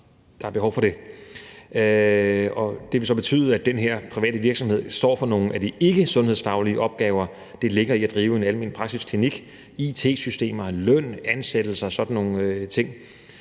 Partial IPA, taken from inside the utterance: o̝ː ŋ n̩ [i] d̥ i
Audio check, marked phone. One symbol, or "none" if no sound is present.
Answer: æ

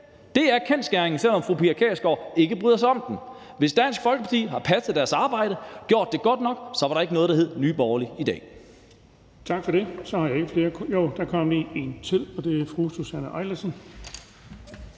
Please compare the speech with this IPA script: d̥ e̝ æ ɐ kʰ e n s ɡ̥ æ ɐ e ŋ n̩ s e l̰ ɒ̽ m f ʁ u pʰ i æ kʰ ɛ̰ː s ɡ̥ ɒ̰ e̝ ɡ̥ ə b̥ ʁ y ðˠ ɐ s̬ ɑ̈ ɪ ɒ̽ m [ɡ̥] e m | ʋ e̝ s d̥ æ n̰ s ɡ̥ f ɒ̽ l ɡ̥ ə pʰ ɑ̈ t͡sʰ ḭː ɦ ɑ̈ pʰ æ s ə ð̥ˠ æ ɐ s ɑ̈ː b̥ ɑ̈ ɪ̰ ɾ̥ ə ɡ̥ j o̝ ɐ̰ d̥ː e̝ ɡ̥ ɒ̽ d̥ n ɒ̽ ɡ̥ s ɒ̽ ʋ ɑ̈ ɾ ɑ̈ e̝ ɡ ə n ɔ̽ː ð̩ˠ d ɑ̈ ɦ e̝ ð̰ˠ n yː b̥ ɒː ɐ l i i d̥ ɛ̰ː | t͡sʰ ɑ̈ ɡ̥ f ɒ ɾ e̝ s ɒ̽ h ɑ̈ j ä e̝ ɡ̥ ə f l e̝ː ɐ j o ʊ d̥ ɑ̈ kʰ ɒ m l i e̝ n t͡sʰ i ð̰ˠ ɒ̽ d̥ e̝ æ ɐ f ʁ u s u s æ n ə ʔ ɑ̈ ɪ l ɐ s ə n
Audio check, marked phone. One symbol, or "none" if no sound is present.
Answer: d̥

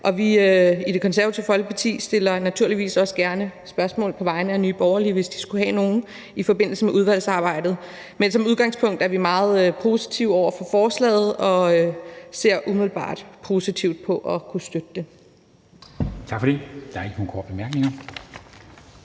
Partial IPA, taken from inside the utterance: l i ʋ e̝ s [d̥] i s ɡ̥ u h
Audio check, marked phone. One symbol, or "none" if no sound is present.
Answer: d̥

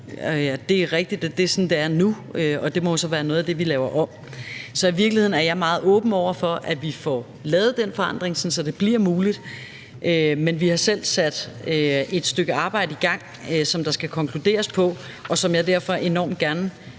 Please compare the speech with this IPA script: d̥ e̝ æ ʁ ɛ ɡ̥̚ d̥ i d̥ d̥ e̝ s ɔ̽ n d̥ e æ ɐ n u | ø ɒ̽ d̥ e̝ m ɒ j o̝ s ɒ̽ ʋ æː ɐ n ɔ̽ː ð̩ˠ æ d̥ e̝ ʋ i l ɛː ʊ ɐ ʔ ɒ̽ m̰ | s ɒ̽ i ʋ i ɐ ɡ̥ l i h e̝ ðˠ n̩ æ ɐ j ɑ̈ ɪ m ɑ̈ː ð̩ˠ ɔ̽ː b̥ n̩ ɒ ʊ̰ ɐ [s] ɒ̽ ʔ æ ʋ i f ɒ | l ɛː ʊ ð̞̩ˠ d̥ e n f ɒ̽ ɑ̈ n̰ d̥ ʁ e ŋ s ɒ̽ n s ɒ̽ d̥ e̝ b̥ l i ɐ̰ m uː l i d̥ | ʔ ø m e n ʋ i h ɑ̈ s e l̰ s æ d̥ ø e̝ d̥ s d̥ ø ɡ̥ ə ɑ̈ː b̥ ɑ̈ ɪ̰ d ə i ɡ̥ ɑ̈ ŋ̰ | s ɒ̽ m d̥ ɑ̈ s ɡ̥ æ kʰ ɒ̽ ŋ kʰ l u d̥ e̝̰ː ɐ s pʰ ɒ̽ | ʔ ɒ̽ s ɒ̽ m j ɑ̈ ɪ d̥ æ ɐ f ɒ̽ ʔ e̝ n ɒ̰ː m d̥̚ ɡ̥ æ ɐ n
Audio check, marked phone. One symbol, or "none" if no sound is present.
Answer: f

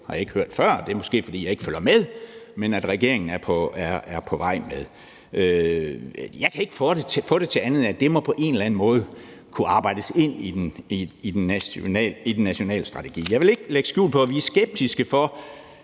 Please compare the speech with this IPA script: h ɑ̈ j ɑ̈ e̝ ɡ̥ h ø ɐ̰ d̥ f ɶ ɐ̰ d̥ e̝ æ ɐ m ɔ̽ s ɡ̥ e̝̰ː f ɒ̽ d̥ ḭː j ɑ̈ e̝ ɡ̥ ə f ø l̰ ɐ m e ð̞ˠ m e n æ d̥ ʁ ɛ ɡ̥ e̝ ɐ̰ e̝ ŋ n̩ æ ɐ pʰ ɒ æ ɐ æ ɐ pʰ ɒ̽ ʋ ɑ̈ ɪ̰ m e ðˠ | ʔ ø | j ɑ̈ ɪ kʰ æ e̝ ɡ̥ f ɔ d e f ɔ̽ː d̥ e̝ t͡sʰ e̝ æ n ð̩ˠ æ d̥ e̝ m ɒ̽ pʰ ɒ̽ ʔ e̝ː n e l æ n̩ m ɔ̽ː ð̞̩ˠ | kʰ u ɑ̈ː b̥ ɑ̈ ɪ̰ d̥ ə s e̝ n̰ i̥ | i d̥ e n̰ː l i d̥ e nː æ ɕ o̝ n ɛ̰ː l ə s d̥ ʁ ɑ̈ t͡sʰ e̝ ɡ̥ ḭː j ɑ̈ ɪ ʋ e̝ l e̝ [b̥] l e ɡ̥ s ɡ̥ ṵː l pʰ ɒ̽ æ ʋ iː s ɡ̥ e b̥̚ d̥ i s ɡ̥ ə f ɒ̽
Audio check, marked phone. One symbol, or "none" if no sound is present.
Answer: ɡ̥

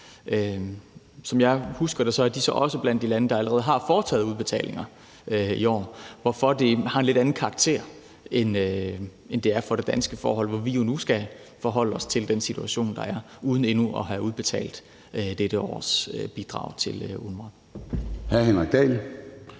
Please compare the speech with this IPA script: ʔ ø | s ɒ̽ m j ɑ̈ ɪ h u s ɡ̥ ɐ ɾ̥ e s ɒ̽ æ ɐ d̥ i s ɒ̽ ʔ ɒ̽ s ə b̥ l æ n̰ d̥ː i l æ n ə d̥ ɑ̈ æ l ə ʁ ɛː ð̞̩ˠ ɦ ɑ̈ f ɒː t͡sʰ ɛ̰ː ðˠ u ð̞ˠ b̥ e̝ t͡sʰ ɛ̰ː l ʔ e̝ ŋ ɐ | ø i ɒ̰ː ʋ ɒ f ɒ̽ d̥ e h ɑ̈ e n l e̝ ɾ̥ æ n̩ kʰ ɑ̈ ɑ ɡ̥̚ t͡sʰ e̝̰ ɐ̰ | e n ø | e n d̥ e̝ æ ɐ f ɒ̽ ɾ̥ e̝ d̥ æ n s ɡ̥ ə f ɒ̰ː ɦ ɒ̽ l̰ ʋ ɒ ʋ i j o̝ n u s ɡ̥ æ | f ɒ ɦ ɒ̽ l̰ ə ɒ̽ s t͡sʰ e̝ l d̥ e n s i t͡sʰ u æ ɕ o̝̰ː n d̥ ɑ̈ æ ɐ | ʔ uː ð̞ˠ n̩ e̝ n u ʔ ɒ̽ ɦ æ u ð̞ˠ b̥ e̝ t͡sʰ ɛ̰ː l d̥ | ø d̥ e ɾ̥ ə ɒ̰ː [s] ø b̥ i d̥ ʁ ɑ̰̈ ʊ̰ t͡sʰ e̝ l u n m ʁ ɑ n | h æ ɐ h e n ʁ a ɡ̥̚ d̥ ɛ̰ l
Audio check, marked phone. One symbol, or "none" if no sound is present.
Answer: s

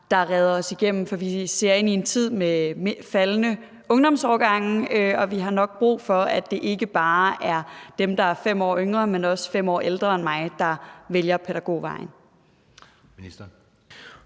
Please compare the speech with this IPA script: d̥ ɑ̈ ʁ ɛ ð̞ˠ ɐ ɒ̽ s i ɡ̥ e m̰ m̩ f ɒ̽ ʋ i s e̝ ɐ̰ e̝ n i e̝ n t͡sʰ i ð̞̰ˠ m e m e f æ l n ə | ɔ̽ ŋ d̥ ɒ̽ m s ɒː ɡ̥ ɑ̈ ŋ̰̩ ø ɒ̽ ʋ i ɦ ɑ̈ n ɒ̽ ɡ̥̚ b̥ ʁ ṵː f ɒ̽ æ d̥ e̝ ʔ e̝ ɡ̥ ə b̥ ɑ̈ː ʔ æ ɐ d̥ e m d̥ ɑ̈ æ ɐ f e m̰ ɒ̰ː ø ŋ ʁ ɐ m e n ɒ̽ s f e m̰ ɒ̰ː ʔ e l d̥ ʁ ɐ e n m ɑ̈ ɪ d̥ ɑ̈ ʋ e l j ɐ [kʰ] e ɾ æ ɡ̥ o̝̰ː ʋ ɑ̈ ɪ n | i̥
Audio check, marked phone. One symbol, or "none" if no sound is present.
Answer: pʰ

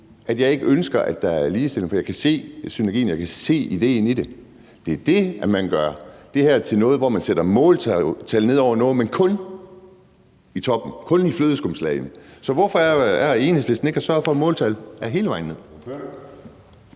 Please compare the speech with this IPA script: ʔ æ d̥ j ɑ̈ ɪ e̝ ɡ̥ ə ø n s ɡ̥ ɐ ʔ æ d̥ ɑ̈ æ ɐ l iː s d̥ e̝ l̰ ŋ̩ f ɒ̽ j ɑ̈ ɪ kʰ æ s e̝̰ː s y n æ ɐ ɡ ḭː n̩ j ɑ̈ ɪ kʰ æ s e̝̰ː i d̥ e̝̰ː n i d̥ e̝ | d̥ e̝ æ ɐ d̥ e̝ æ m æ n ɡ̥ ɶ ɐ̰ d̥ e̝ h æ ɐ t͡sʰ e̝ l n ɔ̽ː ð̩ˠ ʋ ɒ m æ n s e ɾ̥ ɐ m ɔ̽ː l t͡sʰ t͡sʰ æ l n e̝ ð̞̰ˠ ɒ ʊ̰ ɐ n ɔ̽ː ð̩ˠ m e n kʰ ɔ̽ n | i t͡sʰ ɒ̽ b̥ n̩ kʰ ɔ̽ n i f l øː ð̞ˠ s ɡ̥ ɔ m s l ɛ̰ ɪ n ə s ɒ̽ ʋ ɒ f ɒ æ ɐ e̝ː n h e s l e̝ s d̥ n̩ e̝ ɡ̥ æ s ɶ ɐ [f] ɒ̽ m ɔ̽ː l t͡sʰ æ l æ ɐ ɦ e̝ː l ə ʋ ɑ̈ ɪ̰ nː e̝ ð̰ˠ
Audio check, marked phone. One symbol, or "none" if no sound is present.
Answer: f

